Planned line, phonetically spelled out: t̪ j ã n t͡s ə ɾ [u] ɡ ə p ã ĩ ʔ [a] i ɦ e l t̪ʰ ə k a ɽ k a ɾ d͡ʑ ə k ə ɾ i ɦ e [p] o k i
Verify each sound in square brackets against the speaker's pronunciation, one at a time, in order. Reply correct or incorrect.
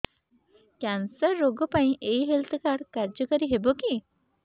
incorrect: o, incorrect: e, incorrect: b

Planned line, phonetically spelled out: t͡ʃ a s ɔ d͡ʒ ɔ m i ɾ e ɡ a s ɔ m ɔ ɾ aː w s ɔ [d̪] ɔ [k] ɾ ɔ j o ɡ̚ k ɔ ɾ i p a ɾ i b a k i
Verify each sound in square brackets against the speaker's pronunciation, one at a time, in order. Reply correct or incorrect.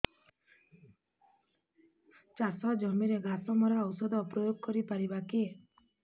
correct, incorrect: p

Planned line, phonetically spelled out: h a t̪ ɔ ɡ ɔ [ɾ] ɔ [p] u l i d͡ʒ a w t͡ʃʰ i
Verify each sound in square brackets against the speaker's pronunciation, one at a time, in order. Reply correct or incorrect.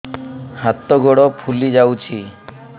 incorrect: ɽ, incorrect: pʰ

